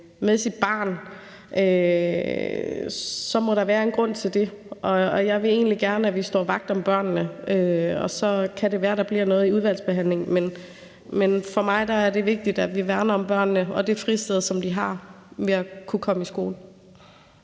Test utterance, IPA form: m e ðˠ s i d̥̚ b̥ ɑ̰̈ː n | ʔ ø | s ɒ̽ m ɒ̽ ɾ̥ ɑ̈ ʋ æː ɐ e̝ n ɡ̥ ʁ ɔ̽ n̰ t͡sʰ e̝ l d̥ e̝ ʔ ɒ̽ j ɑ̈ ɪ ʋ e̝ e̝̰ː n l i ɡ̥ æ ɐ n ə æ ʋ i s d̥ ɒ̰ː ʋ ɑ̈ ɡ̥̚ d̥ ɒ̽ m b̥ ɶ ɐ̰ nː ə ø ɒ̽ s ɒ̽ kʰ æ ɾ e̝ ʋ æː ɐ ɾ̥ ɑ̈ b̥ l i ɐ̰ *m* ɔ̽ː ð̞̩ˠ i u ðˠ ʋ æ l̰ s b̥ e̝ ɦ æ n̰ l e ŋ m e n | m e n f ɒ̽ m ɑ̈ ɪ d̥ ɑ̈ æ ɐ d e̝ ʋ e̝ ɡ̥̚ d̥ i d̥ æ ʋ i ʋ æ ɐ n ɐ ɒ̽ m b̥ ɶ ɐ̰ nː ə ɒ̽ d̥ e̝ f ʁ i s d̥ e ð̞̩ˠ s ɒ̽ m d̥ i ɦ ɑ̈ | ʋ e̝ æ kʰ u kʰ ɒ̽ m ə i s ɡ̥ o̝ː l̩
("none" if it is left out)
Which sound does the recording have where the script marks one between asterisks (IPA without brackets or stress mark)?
n